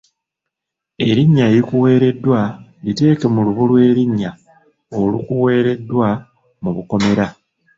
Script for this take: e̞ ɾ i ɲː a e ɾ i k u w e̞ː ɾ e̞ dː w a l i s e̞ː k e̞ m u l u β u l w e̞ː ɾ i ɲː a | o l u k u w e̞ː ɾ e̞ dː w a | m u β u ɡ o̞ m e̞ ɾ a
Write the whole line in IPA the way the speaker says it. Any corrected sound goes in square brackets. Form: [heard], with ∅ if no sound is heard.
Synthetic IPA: e̞ ɾ i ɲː a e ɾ i k u w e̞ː ɾ e̞ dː w a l i [t] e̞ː k e̞ m u l u β u l w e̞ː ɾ i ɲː a | o l u k u w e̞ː ɾ e̞ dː w a | m u β u [k] o̞ m e̞ ɾ a